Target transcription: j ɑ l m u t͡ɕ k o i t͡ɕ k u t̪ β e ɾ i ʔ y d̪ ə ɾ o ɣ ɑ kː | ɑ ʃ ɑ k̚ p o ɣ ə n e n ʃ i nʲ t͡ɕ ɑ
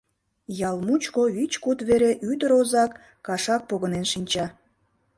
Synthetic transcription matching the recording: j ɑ l m u t͡ɕ k o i t͡ɕ k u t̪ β e ɾ e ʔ y d̪ ə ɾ o z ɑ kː | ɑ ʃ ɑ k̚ p o ɣ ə n e n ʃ i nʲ t͡ɕ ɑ

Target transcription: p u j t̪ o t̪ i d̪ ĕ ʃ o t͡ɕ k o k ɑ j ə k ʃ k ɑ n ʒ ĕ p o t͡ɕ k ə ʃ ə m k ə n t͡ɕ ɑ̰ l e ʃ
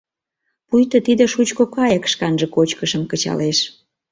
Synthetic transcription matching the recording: p u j t̪ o t̪ i d̪ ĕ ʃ u t͡ɕ k o k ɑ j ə k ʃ k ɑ n ʒ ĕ k o t͡ɕ k ə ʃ ə m k ə t͡ɕ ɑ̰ l e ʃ

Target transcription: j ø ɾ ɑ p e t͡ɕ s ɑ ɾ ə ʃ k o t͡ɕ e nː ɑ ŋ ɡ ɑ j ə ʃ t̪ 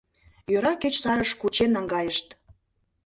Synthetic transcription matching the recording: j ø ɾ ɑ k e t͡ɕ s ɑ ɾ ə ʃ k u t͡ɕ e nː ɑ ŋ ɡ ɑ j ə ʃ t̪

